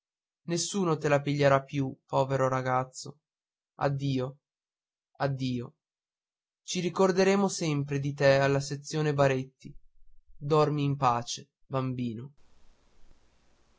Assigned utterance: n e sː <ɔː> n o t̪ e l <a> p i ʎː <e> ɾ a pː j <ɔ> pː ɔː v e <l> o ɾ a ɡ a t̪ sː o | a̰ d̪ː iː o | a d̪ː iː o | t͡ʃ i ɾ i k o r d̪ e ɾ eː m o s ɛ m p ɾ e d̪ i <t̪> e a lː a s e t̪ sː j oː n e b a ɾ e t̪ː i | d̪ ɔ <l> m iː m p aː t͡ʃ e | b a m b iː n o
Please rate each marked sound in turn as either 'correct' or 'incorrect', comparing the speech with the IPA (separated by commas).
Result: incorrect, correct, correct, incorrect, incorrect, correct, incorrect